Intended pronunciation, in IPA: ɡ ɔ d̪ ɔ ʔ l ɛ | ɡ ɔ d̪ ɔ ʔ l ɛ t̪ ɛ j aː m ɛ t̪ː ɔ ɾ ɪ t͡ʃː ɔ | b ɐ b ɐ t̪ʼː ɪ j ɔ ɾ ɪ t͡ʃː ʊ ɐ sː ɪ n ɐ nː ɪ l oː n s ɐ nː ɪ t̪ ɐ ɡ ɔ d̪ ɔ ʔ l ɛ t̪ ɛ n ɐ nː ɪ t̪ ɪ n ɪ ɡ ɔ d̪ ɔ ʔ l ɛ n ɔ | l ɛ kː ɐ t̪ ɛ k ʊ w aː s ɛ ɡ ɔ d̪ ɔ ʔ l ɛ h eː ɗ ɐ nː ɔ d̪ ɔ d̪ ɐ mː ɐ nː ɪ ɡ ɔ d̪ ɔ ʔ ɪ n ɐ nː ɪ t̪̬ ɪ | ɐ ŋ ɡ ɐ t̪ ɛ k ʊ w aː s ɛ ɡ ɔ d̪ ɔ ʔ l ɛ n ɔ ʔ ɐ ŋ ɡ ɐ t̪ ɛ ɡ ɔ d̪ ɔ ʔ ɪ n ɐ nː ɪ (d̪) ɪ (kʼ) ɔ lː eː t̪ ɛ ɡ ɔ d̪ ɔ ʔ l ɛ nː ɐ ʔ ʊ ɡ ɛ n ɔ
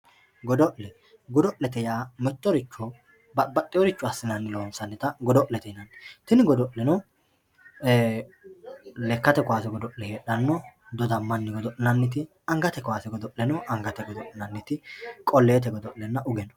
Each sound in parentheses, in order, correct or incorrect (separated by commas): incorrect, correct